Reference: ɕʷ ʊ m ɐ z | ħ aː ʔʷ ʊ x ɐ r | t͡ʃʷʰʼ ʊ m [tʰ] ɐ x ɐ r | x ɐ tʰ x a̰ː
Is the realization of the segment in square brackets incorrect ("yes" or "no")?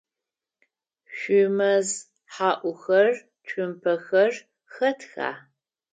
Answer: yes